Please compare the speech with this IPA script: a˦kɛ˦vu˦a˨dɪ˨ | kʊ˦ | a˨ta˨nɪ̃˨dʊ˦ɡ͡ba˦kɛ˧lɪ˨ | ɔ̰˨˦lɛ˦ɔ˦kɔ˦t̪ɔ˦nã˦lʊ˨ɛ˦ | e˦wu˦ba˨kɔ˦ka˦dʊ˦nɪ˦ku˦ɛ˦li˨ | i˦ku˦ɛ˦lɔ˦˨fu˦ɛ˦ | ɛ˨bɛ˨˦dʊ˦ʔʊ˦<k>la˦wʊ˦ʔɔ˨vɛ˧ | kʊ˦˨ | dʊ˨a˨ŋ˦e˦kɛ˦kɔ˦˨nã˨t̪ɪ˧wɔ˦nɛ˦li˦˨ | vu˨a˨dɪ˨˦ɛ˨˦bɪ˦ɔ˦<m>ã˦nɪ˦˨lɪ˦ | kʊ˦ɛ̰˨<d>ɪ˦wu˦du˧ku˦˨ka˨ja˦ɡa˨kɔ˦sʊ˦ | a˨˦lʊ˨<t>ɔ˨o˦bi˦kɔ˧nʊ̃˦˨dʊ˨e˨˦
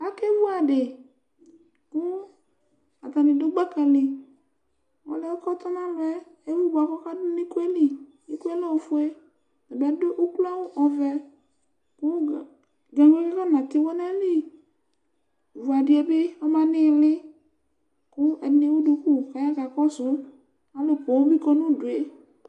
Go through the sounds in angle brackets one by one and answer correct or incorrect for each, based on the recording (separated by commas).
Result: correct, correct, incorrect, incorrect